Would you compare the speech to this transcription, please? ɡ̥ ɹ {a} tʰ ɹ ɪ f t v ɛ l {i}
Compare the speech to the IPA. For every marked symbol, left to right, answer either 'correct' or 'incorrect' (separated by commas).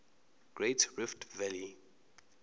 incorrect, correct